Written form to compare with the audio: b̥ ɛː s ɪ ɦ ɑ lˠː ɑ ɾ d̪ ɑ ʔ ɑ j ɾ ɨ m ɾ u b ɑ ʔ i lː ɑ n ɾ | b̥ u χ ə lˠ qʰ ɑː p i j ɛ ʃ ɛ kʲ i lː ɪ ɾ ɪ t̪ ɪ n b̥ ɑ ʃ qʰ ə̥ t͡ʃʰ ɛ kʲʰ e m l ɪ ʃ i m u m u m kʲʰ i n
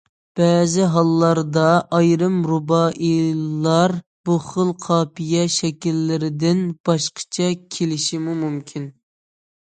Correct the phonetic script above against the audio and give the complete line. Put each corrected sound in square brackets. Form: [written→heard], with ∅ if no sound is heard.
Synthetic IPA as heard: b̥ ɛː [s→z] ɪ ɦ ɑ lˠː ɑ ɾ d̪ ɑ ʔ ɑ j ɾ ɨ m ɾ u b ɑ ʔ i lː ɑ [n→∅] ɾ | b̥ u χ ə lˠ qʰ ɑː p i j ɛ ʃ ɛ kʲ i lː ɪ ɾ ɪ [t̪→d̪] ɪ n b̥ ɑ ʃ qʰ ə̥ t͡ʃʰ ɛ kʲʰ e [m→∅] l ɪ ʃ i m u m u m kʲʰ i n